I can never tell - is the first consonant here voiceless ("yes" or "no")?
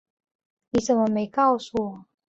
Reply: no